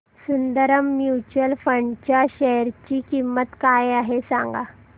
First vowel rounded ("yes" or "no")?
yes